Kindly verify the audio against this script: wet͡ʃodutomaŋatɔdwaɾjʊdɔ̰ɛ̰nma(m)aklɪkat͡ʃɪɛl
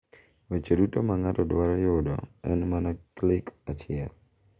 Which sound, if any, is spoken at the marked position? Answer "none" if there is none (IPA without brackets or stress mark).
n